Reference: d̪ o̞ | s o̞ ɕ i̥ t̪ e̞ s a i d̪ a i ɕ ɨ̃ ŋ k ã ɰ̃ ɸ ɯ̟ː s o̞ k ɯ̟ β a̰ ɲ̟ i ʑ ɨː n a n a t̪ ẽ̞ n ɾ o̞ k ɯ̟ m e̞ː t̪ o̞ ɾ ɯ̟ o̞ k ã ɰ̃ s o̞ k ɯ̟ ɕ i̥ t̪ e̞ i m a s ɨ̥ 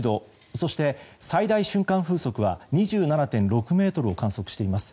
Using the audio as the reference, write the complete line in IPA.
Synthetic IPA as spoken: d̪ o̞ | s o̞ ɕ i̥ t̪ e̞ s a i d̪ a i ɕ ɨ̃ ŋ k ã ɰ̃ ɸ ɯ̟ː s o̞ k ɯ̟ β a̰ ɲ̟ i ʑ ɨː n a n a t̪ ẽ̞ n ɾ o̞ k ɯ̟ m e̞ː t̪ o̞ ɾ ɯ̟ o̞ k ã ɰ̃ s o̞ k ɯ̟ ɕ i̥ t̪ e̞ i m a s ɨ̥